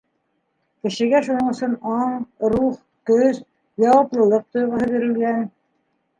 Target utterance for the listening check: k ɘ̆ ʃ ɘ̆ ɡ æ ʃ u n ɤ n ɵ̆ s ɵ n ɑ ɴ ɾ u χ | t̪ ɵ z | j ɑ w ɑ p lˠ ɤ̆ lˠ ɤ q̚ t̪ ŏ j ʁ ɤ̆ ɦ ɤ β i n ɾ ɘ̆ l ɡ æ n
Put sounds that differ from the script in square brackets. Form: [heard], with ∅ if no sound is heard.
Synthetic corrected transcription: k ɘ̆ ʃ ɘ̆ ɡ æ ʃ u n ɤ [ɴ] ɵ̆ s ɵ n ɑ ɴ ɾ u χ | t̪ ɵ z | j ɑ w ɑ p lˠ ɤ̆ lˠ ɤ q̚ t̪ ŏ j ʁ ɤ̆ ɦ ɤ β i [∅] ɾ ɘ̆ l ɡ æ n

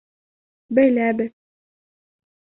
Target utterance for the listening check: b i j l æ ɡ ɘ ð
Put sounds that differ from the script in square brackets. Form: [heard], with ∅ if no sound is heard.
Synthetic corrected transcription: b [æ] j l æ [b] ɘ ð

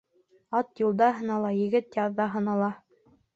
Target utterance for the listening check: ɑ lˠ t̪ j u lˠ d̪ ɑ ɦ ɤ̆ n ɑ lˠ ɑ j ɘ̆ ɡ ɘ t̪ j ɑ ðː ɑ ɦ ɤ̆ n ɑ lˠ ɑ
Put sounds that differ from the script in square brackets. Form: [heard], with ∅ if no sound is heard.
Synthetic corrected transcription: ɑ [∅] t̪ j u lˠ d̪ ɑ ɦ ɤ̆ n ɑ lˠ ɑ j ɘ̆ ɡ ɘ t̪ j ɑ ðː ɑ ɦ ɤ̆ n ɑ lˠ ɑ

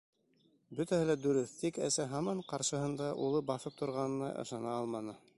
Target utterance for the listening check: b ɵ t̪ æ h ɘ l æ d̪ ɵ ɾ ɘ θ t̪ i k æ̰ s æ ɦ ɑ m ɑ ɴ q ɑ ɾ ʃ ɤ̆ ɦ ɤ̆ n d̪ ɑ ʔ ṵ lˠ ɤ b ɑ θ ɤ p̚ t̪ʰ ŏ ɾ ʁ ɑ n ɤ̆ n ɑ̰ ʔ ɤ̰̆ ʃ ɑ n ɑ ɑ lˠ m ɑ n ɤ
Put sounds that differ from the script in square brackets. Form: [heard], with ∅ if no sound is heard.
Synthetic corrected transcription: b ɵ t̪ æ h ɘ l æ d̪ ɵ ɾ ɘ θ t̪ i k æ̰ s æ ɦ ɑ m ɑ ɴ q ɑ ɾ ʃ ɤ̆ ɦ ɤ̆ n d̪ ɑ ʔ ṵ lˠ ɤ b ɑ θ ɤ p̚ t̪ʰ ŏ ɾ ʁ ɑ n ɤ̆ n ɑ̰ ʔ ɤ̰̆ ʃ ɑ n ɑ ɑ lˠ m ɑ n ɤ

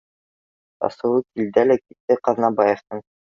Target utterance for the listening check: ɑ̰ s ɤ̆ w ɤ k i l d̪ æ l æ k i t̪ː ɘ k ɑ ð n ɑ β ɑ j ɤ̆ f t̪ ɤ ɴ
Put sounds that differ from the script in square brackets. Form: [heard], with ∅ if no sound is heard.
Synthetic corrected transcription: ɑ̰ s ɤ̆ w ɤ k i l d̪ æ l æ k i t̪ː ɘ [q] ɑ ð n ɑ [b] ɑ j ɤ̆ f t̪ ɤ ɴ

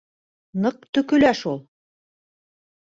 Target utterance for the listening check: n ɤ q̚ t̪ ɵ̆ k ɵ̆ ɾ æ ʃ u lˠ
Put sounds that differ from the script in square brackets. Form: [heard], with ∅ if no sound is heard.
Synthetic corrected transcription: n ɤ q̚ t̪ ɵ̆ k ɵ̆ [l] æ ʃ u lˠ

